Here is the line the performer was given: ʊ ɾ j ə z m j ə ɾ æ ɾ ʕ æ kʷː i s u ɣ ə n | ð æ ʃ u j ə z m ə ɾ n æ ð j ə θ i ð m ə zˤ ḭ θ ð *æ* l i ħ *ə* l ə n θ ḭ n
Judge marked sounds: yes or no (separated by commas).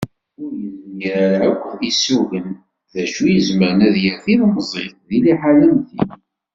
no, no